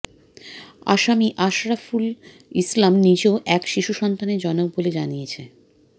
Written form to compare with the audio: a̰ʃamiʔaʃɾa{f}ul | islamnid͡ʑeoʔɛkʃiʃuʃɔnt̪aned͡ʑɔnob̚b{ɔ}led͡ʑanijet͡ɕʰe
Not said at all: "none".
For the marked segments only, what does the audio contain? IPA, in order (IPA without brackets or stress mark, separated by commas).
f, o